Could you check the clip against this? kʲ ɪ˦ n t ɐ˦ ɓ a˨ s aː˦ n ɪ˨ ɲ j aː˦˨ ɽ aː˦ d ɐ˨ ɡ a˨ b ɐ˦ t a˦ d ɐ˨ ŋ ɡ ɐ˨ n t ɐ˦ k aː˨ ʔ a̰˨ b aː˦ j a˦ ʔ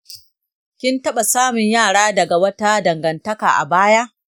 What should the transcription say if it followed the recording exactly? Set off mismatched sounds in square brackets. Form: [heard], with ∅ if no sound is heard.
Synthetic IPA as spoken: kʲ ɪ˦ n t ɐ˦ ɓ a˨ s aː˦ [m] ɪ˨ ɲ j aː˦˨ ɽ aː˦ d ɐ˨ ɡ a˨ [w] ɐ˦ t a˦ d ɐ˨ ŋ ɡ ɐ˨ n t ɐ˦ k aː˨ ʔ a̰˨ b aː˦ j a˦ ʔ